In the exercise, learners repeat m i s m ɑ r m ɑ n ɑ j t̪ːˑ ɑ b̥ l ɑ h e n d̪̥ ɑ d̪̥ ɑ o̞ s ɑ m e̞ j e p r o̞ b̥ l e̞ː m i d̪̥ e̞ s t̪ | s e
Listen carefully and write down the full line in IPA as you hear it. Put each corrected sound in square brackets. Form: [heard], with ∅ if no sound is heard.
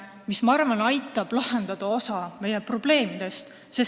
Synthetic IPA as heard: m i s m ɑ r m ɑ n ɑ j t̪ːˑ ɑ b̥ l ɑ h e n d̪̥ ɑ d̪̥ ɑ o̞ s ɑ m e̞ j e p r o̞ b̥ l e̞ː m i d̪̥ e̞ s t̪ | s e